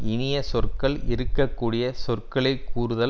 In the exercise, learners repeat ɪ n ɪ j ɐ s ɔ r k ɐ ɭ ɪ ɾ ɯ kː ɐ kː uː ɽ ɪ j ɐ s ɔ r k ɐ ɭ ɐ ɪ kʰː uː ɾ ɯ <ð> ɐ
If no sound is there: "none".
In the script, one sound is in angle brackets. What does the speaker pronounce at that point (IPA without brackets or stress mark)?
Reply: ð